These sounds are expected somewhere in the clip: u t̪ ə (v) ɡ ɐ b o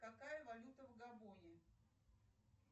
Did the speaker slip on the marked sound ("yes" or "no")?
no